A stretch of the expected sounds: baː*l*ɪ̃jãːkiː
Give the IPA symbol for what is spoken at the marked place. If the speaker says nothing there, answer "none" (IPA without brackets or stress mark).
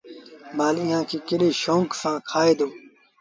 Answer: l